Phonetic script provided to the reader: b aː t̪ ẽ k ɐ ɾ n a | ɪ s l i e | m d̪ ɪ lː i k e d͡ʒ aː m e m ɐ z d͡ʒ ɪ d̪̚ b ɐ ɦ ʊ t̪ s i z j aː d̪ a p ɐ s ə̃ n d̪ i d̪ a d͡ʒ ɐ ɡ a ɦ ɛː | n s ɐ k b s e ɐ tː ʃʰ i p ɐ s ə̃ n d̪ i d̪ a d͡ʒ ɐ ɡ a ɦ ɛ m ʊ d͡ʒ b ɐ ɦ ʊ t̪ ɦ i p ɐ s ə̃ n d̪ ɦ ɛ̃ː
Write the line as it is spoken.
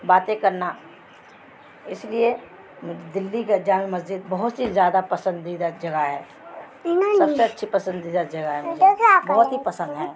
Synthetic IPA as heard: b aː t̪ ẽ k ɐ ɾ n a | ɪ s l i e | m d̪ ɪ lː i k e d͡ʒ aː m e m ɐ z d͡ʒ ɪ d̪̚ b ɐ ɦ ʊ t̪ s i z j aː d̪ a p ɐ s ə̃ n d̪ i d̪ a d͡ʒ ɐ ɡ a ɦ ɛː | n s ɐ b s e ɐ tː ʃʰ i p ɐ s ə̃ n d̪ i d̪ a d͡ʒ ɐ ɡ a ɦ ɛ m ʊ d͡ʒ b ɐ ɦ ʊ t̪ ɦ i p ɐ s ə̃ n d̪ ɦ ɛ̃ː